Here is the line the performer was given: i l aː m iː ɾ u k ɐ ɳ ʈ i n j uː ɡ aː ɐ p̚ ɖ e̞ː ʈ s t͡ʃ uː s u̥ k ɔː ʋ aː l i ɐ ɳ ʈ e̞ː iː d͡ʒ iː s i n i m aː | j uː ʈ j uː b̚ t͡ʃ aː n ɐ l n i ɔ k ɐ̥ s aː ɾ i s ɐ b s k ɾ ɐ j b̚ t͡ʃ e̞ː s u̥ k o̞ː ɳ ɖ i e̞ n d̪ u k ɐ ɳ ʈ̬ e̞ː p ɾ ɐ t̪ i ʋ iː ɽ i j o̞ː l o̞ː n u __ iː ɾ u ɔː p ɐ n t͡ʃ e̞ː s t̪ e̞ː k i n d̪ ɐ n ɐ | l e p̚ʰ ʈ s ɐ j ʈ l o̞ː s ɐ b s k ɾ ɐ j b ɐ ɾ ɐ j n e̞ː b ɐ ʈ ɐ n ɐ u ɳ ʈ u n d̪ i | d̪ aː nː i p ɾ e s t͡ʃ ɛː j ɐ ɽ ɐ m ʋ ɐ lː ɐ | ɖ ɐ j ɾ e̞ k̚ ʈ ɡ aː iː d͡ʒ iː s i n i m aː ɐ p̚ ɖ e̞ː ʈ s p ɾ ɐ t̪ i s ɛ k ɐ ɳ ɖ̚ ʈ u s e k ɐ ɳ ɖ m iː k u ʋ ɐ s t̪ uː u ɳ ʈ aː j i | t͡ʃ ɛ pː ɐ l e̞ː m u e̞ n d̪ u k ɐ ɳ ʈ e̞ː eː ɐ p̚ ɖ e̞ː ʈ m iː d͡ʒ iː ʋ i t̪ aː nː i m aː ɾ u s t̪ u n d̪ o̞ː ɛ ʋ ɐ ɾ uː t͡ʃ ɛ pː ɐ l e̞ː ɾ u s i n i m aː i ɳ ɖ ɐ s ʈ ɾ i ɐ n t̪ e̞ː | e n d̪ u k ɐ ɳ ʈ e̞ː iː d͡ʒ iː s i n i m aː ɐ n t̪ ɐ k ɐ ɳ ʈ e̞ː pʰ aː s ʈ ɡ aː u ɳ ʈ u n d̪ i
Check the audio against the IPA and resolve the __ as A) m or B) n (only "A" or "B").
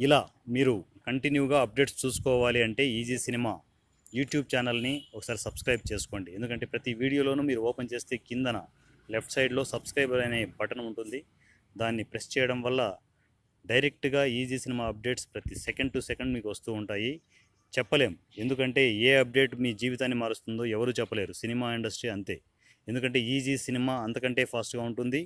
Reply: A